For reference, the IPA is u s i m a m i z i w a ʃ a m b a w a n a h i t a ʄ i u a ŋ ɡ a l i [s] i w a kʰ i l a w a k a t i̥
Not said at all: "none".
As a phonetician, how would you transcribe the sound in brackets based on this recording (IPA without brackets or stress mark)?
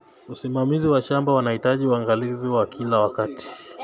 z